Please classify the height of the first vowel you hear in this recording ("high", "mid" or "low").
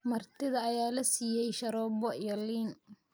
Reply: low